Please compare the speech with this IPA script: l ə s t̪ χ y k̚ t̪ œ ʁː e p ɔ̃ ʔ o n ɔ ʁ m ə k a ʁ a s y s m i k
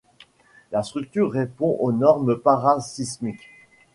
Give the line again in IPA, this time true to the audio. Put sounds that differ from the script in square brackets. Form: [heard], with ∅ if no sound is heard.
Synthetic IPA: l [a] s t̪ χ y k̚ t̪ [y] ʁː e p ɔ̃ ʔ o n ɔ ʁ m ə [p] a ʁ a s [i] s m i k